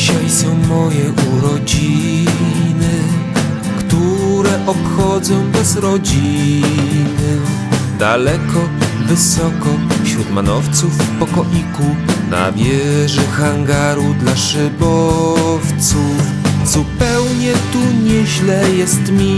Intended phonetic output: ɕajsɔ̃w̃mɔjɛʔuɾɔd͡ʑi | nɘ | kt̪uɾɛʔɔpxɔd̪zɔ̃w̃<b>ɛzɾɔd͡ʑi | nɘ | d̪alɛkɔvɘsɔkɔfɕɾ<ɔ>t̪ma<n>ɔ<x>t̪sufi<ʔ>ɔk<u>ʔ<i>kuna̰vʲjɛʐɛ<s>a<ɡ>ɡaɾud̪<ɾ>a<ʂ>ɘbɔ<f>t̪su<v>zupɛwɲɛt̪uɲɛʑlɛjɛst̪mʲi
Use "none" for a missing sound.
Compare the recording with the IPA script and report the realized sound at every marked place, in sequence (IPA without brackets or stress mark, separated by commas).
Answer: b, u, n, f, p, ɔ, i, x, ŋ, l, ʂ, f, f